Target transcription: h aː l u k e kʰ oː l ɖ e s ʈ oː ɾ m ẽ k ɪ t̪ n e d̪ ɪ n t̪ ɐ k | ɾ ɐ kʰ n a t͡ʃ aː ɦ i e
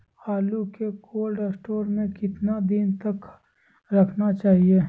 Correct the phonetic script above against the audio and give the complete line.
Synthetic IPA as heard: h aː l u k e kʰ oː l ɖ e s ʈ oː ɾ m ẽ k ɪ t̪ n a d̪ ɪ n t̪ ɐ k | ɾ ɐ kʰ n a t͡ʃ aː ɦ i e